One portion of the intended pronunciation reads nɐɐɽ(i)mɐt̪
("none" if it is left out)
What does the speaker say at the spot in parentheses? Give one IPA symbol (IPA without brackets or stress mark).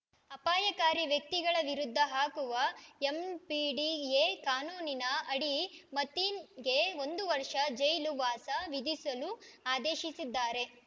i